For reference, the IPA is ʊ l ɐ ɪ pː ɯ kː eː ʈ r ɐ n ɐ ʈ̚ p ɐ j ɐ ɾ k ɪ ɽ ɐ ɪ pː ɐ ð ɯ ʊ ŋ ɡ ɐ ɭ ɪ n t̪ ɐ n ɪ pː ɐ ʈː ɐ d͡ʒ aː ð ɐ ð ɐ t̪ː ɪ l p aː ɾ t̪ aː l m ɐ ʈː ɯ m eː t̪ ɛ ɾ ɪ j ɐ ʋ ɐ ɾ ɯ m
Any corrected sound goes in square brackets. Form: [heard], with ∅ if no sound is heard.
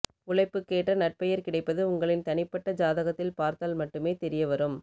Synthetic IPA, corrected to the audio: ʊ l ɐ ɪ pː ɯ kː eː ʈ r ɐ n ɐ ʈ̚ p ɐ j ɐ ɾ k ɪ ɽ ɐ ɪ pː ɐ ð ɯ ʊ ŋ ɡ ɐ ɭ ɪ n t̪ ɐ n ɪ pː ɐ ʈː ɐ d͡ʒ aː ð ɐ [ɣ] ɐ t̪ː ɪ l p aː ɾ t̪ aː l m ɐ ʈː ɯ m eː t̪ ɛ ɾ ɪ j ɐ ʋ ɐ ɾ ɯ m